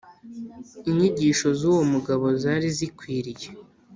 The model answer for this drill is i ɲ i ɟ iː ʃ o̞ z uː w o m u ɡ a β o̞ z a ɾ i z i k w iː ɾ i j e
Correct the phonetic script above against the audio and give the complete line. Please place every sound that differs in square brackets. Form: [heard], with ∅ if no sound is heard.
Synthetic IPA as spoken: i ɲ i ɟ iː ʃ o̞ z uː w o m u ɡ a β o̞ z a ɾ i z i k w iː ɾ i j e